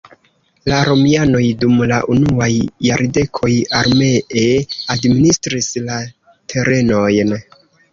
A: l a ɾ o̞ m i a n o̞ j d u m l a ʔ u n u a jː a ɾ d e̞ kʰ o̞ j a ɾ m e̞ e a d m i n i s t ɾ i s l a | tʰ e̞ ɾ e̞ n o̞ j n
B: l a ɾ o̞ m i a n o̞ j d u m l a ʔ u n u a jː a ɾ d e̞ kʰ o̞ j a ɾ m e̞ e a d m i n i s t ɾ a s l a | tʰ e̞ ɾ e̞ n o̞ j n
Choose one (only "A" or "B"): A